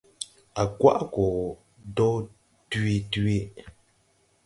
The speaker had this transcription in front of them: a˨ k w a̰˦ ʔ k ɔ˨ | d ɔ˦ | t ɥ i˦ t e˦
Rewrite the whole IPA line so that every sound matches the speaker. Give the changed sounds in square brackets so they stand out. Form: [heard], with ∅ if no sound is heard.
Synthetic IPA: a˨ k w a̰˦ ʔ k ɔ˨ | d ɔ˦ | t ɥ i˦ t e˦